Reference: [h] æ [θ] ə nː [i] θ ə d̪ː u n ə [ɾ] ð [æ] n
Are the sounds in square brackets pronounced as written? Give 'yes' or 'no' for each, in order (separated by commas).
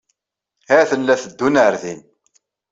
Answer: yes, yes, no, yes, no